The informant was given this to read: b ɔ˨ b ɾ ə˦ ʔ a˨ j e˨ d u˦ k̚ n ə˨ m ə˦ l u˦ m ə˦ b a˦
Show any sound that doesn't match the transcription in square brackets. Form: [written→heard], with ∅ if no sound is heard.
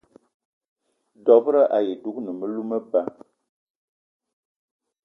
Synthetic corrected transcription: [b→d] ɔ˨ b ɾ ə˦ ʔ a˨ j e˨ d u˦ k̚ n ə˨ m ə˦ l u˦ m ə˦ b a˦